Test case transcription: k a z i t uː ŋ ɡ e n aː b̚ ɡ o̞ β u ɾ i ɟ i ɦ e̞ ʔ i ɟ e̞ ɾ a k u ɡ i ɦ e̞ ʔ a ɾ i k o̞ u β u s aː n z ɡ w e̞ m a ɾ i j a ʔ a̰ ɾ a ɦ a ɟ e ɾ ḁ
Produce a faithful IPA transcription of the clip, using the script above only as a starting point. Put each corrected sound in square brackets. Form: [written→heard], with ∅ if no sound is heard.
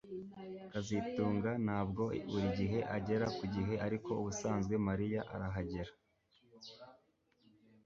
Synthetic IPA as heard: k a z i t uː ŋ ɡ [e→a] n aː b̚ ɡ o̞ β u ɾ i ɟ i ɦ e̞ ʔ [i→a] ɟ e̞ ɾ a k u [ɡ→ɟ] i ɦ e̞ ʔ a ɾ i k o̞ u β u s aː n z ɡ w e̞ m a ɾ i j a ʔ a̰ ɾ a ɦ a ɟ e ɾ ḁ

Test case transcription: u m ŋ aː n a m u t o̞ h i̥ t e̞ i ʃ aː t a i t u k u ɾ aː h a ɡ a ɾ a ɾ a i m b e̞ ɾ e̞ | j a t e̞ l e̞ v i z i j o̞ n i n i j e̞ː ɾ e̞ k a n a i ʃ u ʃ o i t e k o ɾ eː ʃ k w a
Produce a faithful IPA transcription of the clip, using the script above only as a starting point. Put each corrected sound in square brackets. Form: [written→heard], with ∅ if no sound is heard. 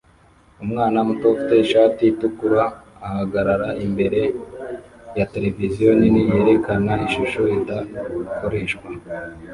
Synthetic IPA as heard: u m ŋ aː n a m u t o̞ [h→f] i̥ t e̞ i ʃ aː t [a→i] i t u k u ɾ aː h a ɡ a ɾ a ɾ a i m b e̞ ɾ e̞ | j a t e̞ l e̞ v i z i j o̞ n i n i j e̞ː ɾ e̞ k a n a i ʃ u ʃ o i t [e→a] k o ɾ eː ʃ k w a

